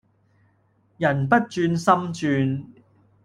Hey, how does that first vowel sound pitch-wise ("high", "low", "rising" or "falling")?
low